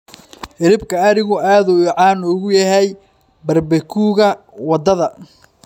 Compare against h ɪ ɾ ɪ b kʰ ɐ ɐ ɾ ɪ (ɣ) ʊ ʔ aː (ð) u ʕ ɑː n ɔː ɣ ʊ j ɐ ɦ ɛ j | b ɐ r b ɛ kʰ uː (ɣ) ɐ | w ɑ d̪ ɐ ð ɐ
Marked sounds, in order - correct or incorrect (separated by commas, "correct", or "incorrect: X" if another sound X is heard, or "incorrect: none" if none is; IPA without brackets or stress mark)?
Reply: correct, correct, correct